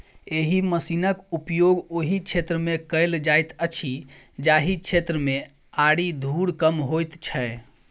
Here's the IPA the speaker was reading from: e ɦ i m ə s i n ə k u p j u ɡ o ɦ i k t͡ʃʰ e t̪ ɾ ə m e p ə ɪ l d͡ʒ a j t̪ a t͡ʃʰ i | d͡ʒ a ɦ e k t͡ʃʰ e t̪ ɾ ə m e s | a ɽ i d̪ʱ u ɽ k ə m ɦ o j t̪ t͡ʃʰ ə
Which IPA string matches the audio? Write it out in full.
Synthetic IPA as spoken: e ɦ i m ə s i n ə k u p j o ɡ o ɦ i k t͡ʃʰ e t̪ ɾ ə m e k ə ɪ l d͡ʒ a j t̪ ə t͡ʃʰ i | d͡ʒ a ɦ i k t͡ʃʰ e t̪ ɾ ə m e | a ɽ i d̪ʱ u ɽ k ə m ɦ o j t̪ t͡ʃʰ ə

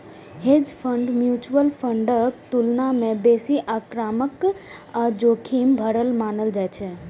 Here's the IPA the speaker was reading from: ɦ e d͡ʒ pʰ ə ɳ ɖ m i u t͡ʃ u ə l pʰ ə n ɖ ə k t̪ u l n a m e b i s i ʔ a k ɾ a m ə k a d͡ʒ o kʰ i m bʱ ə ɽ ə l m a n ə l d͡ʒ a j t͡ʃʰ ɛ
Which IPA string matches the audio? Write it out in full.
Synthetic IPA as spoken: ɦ e d͡ʒ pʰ ə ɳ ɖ m j u t͡ʃ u ə l pʰ ə ɳ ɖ ə k t̪ u l n a m e b e s i ʔ a k ɾ a m ə k a d͡ʒ o kʰ i m bʱ ə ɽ ə l m a n ə l d͡ʒ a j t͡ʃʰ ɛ

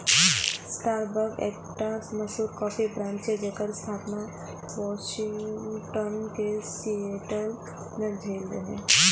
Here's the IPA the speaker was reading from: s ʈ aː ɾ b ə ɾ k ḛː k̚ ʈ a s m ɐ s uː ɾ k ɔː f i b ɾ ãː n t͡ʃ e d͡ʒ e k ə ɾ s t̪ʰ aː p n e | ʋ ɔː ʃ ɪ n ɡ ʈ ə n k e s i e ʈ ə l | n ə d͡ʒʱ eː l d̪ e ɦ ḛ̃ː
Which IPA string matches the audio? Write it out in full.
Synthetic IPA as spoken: s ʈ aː ɾ b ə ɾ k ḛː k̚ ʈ a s m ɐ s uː ɾ k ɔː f i b ɾ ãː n t͡ʃ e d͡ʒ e k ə ɾ s t̪ʰ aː p n a | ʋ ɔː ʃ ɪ ŋ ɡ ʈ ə n k e s i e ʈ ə l | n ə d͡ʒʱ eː l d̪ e ɦ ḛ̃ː

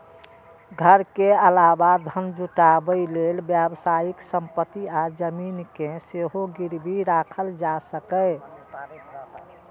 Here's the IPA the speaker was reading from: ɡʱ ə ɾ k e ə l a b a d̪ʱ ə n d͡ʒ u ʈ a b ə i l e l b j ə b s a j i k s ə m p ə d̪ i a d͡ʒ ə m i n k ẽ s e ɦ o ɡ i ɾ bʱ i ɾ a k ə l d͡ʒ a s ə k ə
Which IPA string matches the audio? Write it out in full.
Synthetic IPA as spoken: ɡʱ ə ɾ k e ə l a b a d̪ʱ ə n d͡ʒ u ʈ a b ə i l e l b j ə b s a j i k s ə m p ə t̪ i a d͡ʒ ə m i n k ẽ s e ɦ o ɡ i ɾ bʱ i ɾ a kʰ ə l d͡ʒ a s ə k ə

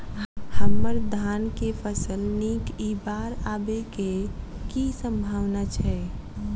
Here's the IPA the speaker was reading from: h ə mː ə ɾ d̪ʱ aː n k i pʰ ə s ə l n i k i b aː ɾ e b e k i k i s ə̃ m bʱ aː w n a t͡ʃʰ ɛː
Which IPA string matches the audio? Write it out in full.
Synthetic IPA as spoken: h ə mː ə ɾ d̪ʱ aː n k e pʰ ə s ə l n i k i b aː ɾ a b e k e k i s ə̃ m bʱ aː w n a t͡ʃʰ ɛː

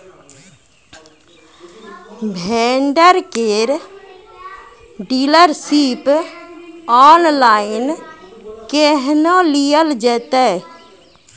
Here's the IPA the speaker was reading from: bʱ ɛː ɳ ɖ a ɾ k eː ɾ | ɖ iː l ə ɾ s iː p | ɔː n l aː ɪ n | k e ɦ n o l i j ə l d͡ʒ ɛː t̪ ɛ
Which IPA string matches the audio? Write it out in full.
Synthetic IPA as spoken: bʱ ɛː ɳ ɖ ə ɾ k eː ɾ | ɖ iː l ə ɾ s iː p | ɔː n l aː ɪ n | k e ɦ n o l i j ə l d͡ʒ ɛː t̪ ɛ

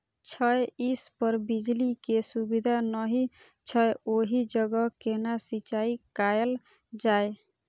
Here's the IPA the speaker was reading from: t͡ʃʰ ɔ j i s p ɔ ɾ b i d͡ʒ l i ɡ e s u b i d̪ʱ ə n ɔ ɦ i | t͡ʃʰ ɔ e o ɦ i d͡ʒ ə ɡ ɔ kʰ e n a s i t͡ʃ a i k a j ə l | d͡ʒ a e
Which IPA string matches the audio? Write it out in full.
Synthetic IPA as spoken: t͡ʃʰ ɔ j i s p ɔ ɾ b i d͡ʒ l i k e s u b i d̪ʱ a n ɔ ɦ i | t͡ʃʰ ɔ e o ɦ i d͡ʒ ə ɡ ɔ k e n a s i t͡ʃ a i k a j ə l | d͡ʒ a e

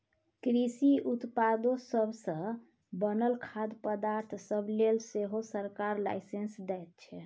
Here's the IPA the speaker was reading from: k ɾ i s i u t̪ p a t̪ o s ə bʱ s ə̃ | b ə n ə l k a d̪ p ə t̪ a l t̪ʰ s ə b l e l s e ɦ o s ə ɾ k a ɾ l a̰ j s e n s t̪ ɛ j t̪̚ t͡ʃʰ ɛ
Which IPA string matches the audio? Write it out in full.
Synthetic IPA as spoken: k ɾ i s i u t̪ p a d̪ o s ə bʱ s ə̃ | b ə n ə l kʰ a d̪ p ə d̪ a ɾ t̪ʰ s ə b l e l s e ɦ o s ə ɾ k a ɾ l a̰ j s e n s d̪ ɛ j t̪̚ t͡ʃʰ ɛ

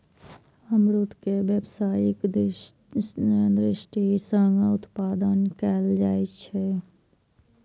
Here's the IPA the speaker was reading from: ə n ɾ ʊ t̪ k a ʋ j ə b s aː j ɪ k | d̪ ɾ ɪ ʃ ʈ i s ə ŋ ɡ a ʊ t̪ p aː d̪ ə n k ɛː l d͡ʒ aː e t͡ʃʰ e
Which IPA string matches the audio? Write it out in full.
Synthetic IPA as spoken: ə m ɾ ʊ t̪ k e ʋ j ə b s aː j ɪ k | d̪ ɾ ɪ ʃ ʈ i s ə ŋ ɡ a ʊ t̪ p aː d̪ ə n k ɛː l d͡ʒ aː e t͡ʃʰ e

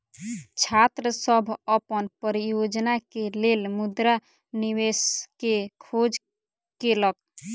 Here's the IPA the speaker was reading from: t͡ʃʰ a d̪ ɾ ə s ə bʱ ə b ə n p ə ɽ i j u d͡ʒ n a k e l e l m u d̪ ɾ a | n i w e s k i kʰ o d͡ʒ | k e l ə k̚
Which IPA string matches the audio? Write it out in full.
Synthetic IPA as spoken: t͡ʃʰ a t̪ ɾ ə s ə bʱ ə p ə n p ə ɾ i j o d͡ʒ n a k e l e l m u d̪ ɾ a | n i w e s k e kʰ o d͡ʒ | k e l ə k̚

